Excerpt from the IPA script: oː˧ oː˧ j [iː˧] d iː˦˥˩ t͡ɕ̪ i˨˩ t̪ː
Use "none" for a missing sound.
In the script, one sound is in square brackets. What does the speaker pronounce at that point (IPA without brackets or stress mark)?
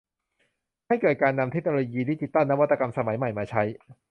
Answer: iː˧